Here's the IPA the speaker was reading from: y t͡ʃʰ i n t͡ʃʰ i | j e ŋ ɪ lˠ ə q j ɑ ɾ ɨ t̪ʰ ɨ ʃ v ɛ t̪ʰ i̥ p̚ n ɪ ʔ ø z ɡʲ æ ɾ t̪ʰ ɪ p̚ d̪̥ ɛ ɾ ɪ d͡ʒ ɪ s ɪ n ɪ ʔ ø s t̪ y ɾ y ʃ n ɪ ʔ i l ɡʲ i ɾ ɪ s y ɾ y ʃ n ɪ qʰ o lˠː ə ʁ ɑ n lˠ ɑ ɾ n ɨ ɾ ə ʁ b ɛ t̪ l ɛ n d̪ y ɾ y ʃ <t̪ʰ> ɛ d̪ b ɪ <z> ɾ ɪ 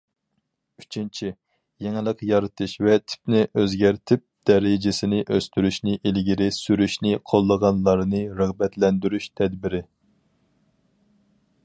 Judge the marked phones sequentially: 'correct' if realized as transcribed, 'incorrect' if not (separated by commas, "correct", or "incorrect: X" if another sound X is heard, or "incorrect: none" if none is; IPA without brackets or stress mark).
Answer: correct, incorrect: none